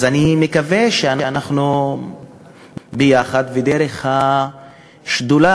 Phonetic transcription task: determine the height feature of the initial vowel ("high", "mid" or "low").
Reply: low